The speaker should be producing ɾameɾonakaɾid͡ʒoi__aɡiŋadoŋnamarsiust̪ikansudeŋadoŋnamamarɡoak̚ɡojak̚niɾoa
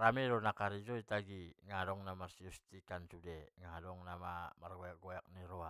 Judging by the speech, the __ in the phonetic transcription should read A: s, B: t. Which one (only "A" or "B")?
B